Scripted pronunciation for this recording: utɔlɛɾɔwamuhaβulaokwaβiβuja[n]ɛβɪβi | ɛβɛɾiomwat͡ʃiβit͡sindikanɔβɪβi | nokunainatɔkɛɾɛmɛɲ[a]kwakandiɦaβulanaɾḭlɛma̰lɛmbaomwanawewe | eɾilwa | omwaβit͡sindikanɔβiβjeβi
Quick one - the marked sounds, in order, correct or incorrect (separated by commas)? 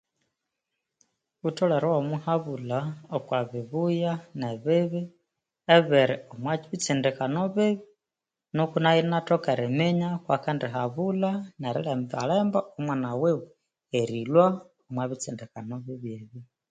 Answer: correct, correct